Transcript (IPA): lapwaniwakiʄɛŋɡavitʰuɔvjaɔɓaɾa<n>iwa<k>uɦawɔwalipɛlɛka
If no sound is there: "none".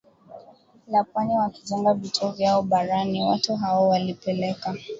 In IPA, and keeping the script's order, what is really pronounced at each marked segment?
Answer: n, t

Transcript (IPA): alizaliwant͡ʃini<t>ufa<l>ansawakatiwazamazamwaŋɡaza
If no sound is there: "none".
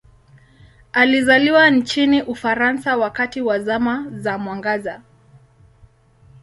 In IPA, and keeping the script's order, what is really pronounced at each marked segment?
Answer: ʔ, ɾ

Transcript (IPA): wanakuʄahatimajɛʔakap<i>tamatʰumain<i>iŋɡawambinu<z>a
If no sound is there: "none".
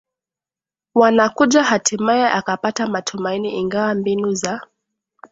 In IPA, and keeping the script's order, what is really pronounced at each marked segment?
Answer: a, i, z

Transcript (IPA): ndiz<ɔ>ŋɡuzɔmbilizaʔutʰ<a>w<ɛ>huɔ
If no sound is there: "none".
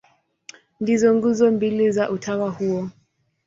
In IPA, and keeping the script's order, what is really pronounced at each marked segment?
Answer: ɔ, a, a

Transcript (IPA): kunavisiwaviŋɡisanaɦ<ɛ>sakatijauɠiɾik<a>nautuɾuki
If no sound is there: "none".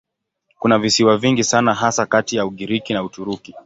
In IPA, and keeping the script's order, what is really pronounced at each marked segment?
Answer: a, i

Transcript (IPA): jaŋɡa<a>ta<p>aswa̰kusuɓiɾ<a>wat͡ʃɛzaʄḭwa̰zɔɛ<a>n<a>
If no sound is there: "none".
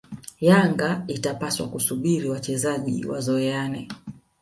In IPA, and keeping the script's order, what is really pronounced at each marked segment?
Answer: i, p, i, a, ɛ

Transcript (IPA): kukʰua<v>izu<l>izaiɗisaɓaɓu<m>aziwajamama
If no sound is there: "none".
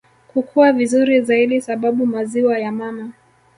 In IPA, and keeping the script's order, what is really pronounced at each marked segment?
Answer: v, ɾ, m

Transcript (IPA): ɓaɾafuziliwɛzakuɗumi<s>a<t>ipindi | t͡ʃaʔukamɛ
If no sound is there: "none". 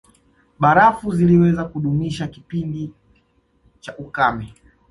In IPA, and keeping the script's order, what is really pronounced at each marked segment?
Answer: ʃ, k

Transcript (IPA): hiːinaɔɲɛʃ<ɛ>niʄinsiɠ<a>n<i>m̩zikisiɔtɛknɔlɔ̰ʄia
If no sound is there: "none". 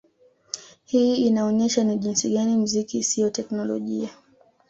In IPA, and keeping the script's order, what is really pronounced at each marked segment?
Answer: a, a, i

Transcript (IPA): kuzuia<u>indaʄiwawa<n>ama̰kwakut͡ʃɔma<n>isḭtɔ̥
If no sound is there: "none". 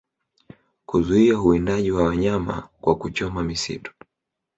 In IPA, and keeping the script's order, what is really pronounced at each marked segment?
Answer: u, ɲ, m

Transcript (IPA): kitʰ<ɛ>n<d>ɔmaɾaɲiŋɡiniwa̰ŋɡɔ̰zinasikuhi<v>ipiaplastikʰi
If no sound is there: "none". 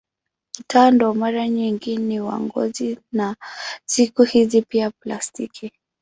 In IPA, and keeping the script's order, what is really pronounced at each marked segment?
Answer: a, d, z

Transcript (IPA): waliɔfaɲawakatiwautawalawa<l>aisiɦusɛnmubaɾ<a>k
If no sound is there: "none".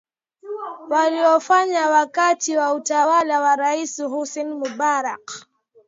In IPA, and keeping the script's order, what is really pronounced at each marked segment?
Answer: ɾ, a

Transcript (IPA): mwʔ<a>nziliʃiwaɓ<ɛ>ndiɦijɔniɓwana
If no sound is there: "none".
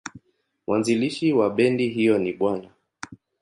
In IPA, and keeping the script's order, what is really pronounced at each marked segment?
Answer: a, ɛ

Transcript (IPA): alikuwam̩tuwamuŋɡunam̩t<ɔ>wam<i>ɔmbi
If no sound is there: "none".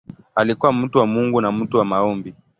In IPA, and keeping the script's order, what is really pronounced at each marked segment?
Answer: u, a

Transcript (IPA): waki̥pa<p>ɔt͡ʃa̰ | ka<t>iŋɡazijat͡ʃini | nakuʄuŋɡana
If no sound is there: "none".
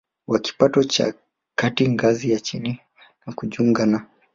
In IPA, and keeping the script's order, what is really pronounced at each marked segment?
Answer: t, t

